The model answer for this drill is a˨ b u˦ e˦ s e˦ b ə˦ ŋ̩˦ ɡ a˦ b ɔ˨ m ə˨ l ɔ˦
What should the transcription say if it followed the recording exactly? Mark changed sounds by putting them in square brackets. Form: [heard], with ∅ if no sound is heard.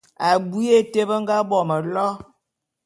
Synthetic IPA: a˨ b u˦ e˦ [t] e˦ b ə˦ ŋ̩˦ ɡ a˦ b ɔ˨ m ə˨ l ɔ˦